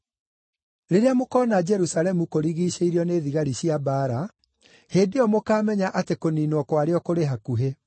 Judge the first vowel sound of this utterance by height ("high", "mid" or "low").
mid